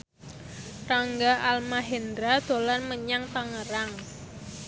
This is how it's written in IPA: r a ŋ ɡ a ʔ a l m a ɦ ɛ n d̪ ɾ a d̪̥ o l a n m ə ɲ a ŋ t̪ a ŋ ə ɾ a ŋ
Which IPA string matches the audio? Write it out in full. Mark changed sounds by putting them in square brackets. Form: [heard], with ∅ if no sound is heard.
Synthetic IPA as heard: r a ŋ ɡ a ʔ a l m a ɦ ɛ n d̪ ɾ a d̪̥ o l a n m ə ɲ a ŋ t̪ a ŋ ə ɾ a ŋ